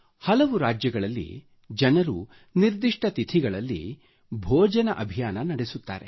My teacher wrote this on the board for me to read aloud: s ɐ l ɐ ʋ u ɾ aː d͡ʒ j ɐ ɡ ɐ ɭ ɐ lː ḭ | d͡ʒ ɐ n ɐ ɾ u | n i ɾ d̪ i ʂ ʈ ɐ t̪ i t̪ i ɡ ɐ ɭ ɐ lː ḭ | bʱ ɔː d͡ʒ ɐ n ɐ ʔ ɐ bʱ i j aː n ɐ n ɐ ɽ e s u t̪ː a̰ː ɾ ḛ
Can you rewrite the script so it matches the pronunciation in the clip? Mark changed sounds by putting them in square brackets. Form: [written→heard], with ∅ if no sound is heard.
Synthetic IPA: [s→h] ɐ l ɐ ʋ u ɾ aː d͡ʒ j ɐ ɡ ɐ ɭ ɐ lː ḭ | d͡ʒ ɐ n ɐ ɾ u | n i ɾ d̪ i ʂ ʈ ɐ t̪ i [t̪→t̪ʰ] i ɡ ɐ ɭ ɐ lː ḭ | bʱ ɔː d͡ʒ ɐ n ɐ ʔ ɐ bʱ i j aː n ɐ n ɐ ɽ e s u t̪ː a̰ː ɾ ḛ

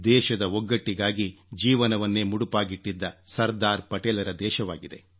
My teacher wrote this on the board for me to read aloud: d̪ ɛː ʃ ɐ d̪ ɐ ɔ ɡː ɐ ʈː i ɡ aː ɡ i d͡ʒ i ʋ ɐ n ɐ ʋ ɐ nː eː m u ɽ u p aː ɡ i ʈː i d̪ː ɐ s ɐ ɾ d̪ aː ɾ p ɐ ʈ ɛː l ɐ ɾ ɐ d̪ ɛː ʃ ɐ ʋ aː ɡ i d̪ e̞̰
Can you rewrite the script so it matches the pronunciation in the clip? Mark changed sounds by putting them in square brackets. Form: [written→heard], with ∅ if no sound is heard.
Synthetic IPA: d̪ ɛː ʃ ɐ d̪ ɐ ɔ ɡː ɐ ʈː i ɡ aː ɡ i d͡ʒ [i→iː] ʋ ɐ n ɐ ʋ ɐ nː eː m u ɽ u p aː ɡ i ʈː i d̪ː ɐ s ɐ ɾ d̪ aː ɾ p ɐ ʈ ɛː l ɐ ɾ ɐ d̪ ɛː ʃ ɐ ʋ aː ɡ i d̪ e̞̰

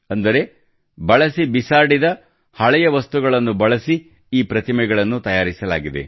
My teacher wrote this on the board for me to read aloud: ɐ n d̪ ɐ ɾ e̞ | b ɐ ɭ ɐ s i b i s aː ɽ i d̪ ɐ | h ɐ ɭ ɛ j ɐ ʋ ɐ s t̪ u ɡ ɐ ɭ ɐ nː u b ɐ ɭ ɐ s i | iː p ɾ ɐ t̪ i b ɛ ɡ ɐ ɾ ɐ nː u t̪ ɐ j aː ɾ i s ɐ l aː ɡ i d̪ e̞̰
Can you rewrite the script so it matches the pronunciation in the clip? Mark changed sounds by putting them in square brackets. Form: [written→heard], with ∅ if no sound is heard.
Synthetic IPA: ɐ n d̪ ɐ ɾ e̞ | b ɐ ɭ ɐ s i b i s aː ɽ i d̪ ɐ | h ɐ ɭ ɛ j ɐ ʋ ɐ s t̪ u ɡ ɐ ɭ ɐ nː u b ɐ ɭ ɐ s i | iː p ɾ ɐ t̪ i [b→m] ɛ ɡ ɐ [ɾ→ɭ] ɐ nː u t̪ ɐ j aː ɾ i s ɐ l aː ɡ i d̪ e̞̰

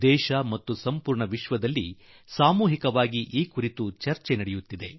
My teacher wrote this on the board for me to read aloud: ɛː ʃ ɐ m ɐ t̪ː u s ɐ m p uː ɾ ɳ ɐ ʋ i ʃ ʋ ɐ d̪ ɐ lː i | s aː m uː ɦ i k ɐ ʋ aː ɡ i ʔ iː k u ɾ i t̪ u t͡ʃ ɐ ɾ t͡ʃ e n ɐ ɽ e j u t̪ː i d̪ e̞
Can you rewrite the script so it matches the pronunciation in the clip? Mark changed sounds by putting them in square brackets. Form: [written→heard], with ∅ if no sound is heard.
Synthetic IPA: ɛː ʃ ɐ m ɐ t̪ː u s ɐ m p uː ɾ ɳ ɐ ʋ i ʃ ʋ ɐ d̪ ɐ lː i | s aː m uː ɦ i k ɐ ʋ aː ɡ i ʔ iː k u ɾ i t̪ u t͡ʃ ɐ ɾ t͡ʃ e n ɐ ɽ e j u t̪ː i d̪ e̞

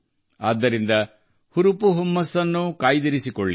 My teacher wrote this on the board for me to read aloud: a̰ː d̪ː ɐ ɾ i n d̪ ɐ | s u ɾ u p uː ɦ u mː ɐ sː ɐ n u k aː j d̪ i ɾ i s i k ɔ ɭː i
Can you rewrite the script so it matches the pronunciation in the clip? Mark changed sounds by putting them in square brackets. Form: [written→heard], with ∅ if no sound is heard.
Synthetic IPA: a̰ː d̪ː ɐ ɾ i n d̪ ɐ | [s→h] u ɾ u p [uː→u] ɦ u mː ɐ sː ɐ [n→nː] u k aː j d̪ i ɾ i s i k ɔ ɭː i

